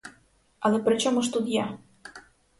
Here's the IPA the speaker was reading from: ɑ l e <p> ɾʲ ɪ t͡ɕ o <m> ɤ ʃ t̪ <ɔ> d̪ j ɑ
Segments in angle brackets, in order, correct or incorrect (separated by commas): correct, correct, incorrect